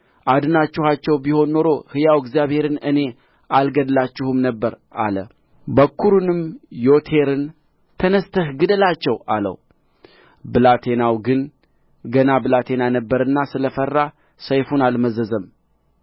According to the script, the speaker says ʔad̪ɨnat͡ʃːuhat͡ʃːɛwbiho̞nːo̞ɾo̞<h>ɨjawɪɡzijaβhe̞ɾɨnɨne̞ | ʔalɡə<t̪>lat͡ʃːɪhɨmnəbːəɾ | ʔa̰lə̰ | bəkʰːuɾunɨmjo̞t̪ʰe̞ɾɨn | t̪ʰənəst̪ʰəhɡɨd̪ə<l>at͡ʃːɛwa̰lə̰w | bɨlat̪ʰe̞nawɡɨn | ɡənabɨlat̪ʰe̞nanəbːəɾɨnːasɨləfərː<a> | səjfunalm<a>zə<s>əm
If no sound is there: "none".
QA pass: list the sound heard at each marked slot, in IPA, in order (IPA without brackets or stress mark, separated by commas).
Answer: h, d̪, l, a, ə, z